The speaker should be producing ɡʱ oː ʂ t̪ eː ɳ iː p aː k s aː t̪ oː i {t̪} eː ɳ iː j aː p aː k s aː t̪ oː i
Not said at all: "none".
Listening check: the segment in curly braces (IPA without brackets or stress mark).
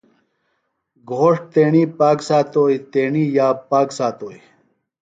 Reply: t̪